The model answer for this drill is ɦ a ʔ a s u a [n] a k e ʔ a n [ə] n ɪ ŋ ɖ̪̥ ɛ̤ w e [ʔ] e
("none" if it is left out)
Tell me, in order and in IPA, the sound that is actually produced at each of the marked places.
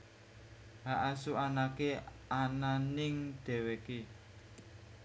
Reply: n, a, k

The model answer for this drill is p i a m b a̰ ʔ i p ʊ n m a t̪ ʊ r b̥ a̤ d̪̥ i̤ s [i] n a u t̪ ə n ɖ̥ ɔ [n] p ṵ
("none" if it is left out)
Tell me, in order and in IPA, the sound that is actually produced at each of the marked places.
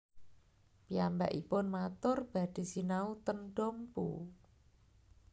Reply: i, m

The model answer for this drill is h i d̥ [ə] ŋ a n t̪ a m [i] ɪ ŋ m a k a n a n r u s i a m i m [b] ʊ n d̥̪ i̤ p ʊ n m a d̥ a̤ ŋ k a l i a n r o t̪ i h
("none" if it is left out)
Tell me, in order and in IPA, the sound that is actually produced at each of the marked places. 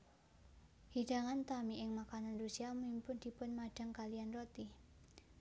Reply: a, i, p

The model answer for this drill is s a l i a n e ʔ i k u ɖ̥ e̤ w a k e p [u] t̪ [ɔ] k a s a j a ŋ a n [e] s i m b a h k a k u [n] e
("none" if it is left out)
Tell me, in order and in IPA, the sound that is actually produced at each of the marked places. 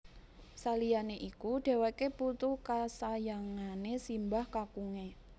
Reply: u, u, e, ŋ

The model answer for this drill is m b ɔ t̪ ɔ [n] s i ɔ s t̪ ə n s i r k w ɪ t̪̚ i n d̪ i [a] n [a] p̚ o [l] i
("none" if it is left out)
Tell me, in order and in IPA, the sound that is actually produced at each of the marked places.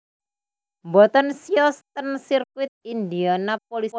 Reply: n, a, a, l

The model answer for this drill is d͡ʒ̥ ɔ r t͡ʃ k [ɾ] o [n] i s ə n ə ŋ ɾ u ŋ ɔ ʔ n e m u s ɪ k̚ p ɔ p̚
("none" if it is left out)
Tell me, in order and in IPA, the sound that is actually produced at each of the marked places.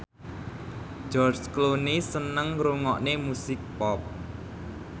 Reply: l, n

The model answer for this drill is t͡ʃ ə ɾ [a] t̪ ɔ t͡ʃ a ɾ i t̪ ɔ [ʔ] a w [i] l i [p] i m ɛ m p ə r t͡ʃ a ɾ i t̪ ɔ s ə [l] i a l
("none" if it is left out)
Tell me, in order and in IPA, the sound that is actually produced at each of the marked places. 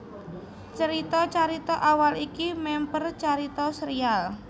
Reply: i, ʔ, a, k, ɾ

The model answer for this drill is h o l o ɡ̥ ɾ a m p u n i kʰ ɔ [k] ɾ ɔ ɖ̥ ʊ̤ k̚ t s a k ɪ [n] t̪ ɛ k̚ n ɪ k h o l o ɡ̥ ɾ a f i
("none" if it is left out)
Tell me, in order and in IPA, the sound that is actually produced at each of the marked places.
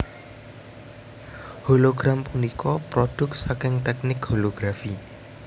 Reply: p, ŋ

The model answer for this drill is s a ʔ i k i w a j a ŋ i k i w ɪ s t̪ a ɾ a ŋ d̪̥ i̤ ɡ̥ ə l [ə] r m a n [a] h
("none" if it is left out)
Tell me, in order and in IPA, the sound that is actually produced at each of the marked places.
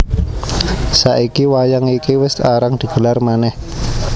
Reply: a, ɛ

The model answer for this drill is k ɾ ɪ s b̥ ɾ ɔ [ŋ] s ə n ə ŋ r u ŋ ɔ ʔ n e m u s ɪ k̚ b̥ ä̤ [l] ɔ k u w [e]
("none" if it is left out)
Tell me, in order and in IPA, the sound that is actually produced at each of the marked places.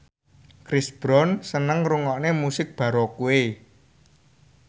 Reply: n, ɾ, e

